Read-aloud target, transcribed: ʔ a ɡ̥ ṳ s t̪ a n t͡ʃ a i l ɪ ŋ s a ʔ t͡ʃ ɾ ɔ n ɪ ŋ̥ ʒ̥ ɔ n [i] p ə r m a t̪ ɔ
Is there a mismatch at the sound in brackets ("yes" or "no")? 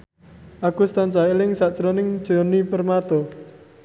no